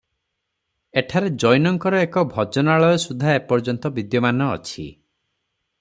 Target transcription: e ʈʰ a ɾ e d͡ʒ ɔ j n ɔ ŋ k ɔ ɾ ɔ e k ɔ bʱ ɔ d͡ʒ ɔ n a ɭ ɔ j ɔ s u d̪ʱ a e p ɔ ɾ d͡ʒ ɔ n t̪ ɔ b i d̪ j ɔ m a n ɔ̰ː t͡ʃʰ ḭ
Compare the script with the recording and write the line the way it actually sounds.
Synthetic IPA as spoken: e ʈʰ a ɾ e d͡ʒ ɔ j n ɔ ŋ k ɔ ɾ ɔ e k ɔ bʱ ɔ d͡ʒ ɔ n a ɭ ɔ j ɔ s u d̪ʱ a e p ɔ ɾ d͡ʒ ɔ n t̪ ɔ b i d̪ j ɔ m a n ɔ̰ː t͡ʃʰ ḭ